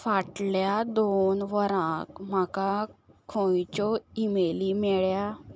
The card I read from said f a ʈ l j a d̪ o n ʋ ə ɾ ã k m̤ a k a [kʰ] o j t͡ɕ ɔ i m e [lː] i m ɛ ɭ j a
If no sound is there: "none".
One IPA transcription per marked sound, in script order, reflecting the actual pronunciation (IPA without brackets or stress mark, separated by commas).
kʰ, l